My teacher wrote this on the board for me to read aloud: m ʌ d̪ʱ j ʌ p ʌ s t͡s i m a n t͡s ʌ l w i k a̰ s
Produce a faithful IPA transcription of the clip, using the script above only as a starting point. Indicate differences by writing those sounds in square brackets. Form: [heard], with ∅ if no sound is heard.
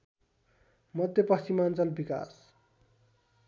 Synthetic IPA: m ʌ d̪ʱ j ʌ p ʌ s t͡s i m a n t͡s ʌ l [b] i k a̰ s